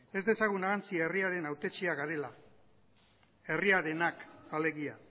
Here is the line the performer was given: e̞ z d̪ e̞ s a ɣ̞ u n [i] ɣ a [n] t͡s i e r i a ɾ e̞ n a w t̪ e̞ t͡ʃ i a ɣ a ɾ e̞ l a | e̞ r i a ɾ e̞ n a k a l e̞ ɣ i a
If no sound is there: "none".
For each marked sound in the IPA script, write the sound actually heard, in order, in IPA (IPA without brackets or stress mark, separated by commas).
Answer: a, n